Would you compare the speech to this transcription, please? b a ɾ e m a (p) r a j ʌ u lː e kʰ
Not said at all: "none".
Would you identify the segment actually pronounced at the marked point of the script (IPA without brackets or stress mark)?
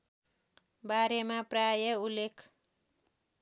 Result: p